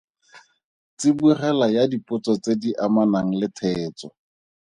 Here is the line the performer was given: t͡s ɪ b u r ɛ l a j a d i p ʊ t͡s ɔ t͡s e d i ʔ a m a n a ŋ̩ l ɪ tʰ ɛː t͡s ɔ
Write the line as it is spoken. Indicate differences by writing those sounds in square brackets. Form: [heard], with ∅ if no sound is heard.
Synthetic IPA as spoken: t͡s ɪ b u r ɛ l a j a d i p ʊ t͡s ɔ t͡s e d i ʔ a m a n a ŋ̩ l ɪ tʰ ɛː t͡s ɔ